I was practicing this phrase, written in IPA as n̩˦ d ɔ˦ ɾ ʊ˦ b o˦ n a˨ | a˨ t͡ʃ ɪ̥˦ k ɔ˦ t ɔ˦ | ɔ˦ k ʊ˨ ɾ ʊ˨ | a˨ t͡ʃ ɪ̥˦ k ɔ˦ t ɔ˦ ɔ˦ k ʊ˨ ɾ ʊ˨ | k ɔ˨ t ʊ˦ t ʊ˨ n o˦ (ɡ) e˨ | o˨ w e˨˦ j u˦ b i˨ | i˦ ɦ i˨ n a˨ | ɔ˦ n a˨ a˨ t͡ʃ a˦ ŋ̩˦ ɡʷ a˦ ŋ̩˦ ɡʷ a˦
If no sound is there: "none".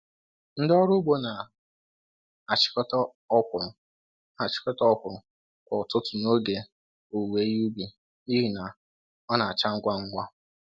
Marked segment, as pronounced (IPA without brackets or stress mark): ɡ